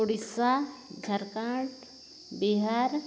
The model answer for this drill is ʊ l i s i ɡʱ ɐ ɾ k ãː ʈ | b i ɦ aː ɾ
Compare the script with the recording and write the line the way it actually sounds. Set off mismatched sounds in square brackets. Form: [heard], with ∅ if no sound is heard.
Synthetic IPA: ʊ [ɽ] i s [a] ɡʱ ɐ ɾ k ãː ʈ | b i ɦ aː ɾ

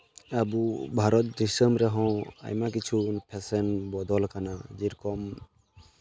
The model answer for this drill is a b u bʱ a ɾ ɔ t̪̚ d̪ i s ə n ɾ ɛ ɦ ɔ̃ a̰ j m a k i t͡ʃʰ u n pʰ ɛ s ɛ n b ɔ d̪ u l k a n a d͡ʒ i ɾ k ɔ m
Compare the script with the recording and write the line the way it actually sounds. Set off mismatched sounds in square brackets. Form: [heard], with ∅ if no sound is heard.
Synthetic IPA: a b u bʱ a ɾ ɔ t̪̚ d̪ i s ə [m] ɾ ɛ ɦ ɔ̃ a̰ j m a k i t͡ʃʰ u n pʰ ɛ s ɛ n b ɔ d̪ [ɔ] l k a n a d͡ʒ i ɾ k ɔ m

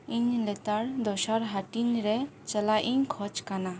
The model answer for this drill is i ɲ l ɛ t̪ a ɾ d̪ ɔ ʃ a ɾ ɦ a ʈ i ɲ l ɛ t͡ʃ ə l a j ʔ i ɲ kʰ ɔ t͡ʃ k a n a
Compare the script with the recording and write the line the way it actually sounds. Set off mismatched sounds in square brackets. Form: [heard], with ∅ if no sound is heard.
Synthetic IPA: i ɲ l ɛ t̪ a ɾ d̪ ɔ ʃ a ɾ ɦ a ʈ i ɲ [ɾ] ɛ t͡ʃ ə l a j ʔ i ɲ kʰ ɔ t͡ʃ k a n a

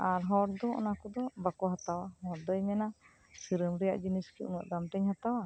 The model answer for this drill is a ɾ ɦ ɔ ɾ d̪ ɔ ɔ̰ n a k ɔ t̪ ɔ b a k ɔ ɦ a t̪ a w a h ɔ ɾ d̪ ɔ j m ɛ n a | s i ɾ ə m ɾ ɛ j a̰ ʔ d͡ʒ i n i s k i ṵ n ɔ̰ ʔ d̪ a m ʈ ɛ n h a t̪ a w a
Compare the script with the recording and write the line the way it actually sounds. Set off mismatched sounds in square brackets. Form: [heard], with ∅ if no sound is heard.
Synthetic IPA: a ɾ ɦ ɔ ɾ d̪ ɔ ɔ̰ n a k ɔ [d̪] ɔ b a k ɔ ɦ a t̪ a w a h ɔ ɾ d̪ ɔ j m ɛ n a | s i ɾ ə m ɾ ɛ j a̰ ʔ d͡ʒ i n i s k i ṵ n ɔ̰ ʔ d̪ a m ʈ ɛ [ɲ] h a t̪ a w a

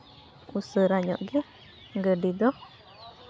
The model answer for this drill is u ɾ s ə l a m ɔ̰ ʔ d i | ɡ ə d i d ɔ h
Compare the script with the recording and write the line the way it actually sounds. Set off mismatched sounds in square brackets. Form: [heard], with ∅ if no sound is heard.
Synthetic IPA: u [∅] s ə [ɾ] a [ɲ] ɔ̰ ʔ [ɡ] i | ɡ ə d i d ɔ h

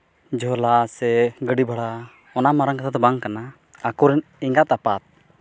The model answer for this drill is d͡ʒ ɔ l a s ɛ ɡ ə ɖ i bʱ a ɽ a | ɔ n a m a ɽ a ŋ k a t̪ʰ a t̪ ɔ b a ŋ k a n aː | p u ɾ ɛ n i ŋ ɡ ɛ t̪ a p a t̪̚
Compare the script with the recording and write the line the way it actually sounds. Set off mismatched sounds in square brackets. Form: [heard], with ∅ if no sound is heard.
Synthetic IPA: d͡ʒ ɔ l a s ɛ ɡ ə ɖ i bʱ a ɽ a | ɔ n a m a [ɾ] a ŋ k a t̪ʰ a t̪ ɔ b a ŋ k a n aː | [k] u ɾ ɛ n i ŋ ɡ [a] t̪ a p a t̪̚

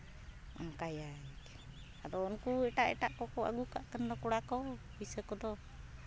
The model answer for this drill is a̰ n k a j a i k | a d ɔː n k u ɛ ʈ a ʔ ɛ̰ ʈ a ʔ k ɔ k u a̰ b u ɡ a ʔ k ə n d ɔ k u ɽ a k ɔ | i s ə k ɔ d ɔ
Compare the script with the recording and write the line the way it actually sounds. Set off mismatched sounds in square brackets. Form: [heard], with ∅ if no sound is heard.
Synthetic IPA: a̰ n k a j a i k | a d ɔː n k u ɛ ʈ a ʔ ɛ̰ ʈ a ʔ k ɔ k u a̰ [ɡ] u [k] a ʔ k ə n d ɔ k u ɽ a k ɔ | i s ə k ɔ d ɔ

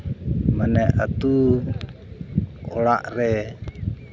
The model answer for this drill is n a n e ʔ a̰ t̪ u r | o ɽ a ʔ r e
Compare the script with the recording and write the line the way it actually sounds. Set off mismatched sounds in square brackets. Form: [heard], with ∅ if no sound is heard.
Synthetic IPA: [m] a n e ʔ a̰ t̪ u [∅] | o [l] a ʔ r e

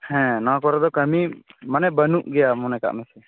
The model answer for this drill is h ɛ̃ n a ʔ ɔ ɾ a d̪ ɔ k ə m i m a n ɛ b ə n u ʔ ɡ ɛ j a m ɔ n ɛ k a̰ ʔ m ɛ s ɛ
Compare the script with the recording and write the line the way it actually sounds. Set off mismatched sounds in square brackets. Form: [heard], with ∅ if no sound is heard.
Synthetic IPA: h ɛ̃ n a [k] ɔ ɾ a d̪ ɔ k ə m i m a n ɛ b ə n u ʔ ɡ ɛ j a m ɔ n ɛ k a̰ ʔ m ɛ s ɛ

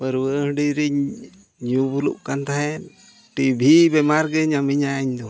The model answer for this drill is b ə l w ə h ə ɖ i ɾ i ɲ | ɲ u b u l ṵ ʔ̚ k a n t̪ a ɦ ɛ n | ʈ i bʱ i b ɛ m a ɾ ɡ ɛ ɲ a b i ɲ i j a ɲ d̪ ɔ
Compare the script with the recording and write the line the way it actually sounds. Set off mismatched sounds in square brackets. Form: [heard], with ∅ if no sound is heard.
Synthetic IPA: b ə [ɾ] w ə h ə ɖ i ɾ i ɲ | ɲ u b u l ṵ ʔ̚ k a n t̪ a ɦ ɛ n | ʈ i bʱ i b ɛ m a ɾ ɡ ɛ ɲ a [m] i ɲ [a] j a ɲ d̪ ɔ

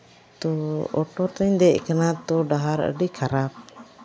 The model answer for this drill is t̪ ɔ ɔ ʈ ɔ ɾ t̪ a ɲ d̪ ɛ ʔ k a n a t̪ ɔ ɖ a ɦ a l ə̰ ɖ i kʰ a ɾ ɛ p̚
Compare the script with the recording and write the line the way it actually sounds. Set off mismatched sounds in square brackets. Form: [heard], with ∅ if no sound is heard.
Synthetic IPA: t̪ ɔ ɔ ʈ ɔ ɾ t̪ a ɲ d̪ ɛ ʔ k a n a t̪ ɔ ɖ a ɦ a [ɾ] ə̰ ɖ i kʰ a ɾ [a] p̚

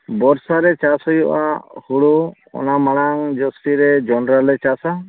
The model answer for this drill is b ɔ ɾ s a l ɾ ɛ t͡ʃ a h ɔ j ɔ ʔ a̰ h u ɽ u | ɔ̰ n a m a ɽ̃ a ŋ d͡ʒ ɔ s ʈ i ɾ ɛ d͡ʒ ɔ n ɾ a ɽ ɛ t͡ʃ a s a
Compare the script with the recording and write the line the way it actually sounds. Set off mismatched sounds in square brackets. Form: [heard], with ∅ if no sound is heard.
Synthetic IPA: b ɔ ɾ s a [∅] ɾ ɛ t͡ʃ a [s] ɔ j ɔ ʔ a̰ h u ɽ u | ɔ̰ n a m a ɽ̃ a ŋ d͡ʒ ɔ s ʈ i ɾ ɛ d͡ʒ ɔ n ɾ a [l] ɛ t͡ʃ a s a

